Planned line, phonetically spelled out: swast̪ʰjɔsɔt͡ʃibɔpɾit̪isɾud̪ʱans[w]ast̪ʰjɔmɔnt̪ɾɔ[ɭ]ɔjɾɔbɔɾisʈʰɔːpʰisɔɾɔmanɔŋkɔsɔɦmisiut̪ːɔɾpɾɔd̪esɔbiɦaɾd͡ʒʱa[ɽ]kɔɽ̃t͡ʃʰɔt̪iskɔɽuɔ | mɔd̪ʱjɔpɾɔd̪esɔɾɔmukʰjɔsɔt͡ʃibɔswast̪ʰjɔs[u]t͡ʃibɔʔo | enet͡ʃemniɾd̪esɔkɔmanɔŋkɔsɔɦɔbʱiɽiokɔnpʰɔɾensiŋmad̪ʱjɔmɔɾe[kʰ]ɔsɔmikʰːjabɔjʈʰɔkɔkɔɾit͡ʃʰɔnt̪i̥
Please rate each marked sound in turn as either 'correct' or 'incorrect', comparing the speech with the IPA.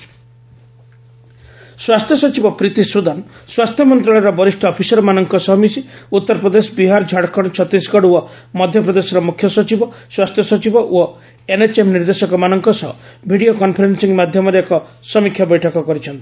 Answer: correct, correct, correct, incorrect, incorrect

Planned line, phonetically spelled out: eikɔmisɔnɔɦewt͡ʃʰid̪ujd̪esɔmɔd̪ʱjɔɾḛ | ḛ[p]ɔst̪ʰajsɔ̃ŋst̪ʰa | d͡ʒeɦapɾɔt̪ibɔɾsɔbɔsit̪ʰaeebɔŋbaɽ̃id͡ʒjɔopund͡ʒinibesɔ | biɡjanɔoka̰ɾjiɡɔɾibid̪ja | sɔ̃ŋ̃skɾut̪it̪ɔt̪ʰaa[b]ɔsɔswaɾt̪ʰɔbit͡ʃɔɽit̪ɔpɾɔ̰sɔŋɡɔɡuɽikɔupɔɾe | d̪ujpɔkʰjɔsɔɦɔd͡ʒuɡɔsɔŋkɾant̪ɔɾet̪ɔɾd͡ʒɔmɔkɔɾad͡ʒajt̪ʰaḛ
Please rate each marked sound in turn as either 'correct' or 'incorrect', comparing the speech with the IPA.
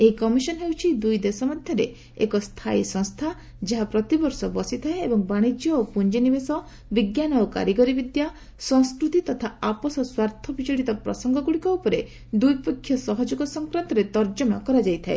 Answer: incorrect, incorrect

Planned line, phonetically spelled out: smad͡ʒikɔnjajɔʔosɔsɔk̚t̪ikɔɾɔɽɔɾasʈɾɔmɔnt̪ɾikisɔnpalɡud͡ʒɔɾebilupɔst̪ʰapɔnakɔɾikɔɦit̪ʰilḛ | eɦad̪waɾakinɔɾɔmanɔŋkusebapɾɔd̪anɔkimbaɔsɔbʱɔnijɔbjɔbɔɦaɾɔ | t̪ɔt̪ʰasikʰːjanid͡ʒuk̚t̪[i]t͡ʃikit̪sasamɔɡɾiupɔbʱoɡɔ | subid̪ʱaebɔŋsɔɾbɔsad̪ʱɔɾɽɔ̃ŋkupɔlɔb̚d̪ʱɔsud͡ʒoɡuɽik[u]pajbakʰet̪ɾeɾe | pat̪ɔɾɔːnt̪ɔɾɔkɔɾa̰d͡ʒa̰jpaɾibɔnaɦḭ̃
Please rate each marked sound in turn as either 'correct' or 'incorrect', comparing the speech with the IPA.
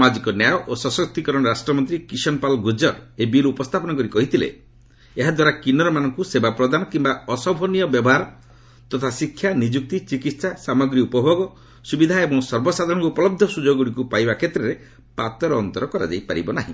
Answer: correct, correct

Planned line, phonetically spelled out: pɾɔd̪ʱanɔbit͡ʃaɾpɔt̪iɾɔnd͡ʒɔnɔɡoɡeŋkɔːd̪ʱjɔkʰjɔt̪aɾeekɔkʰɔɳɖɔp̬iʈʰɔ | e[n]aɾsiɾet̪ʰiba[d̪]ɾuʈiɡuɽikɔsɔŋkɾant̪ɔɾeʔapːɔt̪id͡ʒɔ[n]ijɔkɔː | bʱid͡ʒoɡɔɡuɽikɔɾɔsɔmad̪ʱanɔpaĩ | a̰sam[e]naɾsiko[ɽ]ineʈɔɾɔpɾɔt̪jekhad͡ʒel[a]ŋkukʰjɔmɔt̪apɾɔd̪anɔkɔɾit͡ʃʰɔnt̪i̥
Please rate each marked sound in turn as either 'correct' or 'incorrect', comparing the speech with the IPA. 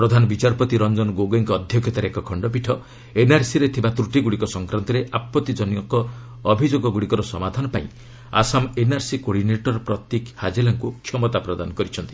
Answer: correct, incorrect, correct, correct, correct, correct

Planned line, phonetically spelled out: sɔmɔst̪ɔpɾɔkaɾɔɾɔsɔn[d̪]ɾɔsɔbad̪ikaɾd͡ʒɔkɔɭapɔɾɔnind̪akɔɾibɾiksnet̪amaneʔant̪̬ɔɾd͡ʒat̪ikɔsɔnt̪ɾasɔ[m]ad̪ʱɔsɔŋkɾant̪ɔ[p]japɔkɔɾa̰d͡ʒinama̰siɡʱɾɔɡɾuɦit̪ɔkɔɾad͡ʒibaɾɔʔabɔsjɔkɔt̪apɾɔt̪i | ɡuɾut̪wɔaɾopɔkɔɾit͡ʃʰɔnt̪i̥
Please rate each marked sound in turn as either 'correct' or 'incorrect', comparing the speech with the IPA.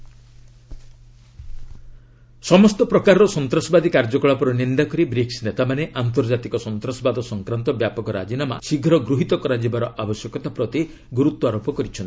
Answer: incorrect, incorrect, incorrect

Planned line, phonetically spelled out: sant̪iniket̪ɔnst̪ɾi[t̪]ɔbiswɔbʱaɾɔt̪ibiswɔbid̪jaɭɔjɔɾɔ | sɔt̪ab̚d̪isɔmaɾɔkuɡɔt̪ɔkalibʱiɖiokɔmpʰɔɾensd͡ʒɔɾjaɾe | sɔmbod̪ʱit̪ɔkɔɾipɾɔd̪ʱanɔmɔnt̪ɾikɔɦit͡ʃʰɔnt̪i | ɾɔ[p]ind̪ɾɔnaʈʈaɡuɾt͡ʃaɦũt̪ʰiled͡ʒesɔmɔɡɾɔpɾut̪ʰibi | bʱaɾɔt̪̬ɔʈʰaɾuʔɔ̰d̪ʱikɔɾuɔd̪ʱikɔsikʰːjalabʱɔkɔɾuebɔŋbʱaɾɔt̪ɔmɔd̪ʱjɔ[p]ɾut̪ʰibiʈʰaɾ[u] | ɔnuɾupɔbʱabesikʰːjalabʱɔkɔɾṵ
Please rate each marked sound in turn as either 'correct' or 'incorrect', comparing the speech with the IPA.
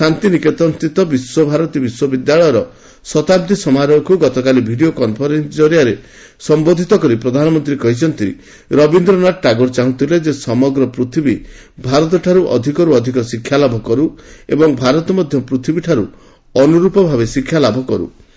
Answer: correct, incorrect, correct, correct

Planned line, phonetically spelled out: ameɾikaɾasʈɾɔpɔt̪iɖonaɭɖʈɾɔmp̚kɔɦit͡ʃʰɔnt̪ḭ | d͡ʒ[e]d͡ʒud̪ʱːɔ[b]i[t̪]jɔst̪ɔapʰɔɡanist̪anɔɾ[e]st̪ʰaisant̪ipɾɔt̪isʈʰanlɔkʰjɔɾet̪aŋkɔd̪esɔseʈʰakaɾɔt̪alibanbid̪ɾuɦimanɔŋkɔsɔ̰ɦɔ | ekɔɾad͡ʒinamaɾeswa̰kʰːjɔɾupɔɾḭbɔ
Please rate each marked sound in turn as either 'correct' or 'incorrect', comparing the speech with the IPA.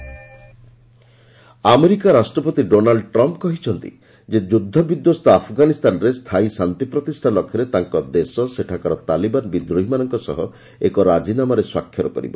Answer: correct, correct, incorrect, correct

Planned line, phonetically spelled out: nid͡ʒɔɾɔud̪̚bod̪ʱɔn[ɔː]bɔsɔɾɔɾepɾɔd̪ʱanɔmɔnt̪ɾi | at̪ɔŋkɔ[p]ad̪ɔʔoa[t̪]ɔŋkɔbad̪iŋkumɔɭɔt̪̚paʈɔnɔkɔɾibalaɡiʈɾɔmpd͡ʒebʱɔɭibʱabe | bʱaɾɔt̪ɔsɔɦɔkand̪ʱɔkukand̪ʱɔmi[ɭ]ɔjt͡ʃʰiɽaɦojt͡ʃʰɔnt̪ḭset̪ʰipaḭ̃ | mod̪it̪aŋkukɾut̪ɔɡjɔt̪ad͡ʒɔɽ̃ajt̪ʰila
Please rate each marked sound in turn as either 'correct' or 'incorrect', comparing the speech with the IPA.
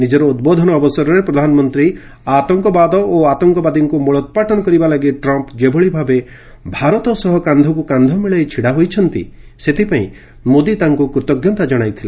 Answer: correct, incorrect, correct, correct

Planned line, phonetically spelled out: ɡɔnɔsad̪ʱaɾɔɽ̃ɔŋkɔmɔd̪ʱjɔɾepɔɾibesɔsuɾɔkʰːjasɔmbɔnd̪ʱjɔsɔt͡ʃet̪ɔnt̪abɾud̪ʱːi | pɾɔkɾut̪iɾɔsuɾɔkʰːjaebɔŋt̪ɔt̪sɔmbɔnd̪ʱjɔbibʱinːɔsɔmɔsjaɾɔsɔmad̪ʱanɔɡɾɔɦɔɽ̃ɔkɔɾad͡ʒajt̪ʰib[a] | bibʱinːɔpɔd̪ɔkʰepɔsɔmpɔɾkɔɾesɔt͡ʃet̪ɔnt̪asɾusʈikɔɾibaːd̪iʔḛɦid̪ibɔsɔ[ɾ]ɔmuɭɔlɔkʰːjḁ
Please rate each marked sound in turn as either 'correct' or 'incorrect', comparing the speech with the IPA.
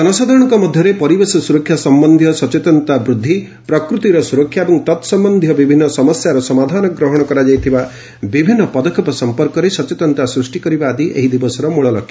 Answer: correct, correct

